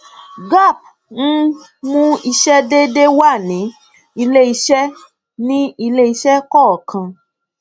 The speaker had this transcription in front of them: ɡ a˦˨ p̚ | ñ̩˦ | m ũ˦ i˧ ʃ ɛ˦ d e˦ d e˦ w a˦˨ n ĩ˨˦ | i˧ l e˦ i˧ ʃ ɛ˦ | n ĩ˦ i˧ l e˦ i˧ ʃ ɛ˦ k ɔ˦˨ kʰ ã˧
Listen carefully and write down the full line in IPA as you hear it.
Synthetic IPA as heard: ɡ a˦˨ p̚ | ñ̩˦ | m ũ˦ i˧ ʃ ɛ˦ d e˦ d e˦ w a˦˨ n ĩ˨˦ | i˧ l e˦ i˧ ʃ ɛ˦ | n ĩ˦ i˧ l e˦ i˧ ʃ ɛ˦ k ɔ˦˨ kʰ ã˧